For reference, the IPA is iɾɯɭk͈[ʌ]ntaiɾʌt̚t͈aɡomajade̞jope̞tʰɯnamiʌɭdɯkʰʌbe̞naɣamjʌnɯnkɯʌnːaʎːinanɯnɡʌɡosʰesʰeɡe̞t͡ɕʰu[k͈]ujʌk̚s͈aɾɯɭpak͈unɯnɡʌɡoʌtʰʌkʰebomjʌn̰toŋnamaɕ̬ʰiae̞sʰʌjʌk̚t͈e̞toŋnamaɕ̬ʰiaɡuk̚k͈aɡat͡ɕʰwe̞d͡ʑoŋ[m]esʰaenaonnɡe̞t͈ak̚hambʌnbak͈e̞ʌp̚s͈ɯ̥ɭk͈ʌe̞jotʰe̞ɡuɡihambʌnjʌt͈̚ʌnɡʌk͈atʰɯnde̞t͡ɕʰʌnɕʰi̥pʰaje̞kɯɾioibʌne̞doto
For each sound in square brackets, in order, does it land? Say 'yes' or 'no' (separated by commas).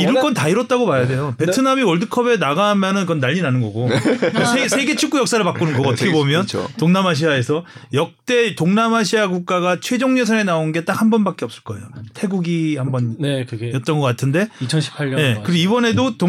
yes, yes, no